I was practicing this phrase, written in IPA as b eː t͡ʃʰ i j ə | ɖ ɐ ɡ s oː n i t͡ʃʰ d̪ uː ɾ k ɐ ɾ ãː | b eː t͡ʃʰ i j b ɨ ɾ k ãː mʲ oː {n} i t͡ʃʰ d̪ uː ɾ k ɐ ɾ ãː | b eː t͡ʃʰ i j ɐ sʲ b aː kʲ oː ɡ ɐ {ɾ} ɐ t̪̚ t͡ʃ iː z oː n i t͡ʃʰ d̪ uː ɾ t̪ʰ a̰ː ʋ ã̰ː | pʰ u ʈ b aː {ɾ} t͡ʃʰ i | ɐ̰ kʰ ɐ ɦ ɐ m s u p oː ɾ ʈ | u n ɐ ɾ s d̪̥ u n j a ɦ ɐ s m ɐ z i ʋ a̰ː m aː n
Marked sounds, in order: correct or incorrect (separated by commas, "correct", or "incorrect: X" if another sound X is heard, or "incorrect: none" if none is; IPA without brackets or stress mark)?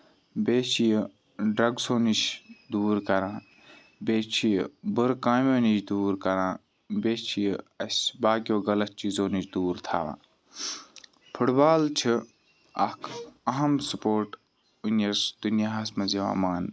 correct, incorrect: l, incorrect: l